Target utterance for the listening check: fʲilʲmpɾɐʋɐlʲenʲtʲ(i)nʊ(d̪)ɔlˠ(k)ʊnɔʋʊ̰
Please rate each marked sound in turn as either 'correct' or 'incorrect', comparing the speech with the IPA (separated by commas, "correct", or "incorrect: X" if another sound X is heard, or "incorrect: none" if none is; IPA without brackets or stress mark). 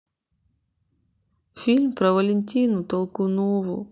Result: correct, incorrect: t̪, correct